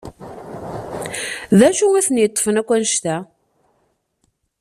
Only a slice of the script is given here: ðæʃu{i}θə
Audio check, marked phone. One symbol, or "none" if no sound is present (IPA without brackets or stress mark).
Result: æ